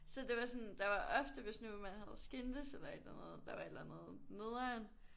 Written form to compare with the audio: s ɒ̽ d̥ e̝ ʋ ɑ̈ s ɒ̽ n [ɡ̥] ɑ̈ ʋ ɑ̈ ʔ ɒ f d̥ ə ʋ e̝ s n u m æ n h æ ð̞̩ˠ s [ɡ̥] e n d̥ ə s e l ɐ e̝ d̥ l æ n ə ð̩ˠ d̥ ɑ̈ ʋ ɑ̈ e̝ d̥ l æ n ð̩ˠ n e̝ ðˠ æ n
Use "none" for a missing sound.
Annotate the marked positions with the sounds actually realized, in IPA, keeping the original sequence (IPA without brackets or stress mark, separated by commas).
d̥, ɡ̥